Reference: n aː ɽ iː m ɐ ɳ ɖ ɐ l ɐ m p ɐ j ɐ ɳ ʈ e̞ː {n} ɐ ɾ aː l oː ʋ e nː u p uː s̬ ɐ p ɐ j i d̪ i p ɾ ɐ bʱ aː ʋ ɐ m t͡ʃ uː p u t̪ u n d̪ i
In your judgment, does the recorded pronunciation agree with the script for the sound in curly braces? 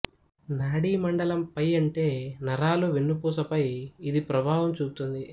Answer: yes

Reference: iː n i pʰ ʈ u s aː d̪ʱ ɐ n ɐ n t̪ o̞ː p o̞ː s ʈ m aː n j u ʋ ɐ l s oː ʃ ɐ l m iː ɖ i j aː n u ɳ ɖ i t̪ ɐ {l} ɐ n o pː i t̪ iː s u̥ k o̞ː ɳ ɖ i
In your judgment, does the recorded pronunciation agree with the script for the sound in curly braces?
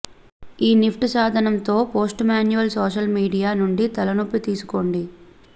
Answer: yes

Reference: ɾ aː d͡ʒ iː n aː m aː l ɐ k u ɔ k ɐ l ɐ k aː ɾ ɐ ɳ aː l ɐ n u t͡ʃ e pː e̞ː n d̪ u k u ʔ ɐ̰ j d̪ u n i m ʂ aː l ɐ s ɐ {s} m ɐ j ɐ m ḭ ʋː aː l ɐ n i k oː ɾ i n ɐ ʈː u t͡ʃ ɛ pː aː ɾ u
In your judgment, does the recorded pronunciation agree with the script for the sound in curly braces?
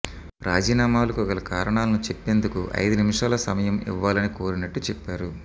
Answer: no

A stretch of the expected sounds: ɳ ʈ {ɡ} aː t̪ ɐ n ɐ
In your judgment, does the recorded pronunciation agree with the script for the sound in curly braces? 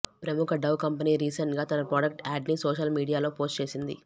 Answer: yes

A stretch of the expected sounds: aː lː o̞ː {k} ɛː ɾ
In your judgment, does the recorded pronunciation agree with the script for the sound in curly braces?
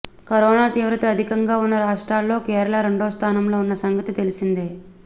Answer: yes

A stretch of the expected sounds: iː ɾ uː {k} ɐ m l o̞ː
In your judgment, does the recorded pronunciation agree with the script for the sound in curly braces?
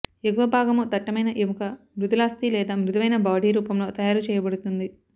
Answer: no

